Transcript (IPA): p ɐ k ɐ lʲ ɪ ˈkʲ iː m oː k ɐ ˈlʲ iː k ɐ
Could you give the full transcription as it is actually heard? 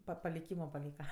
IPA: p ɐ p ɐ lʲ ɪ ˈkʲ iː m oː p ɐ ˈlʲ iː k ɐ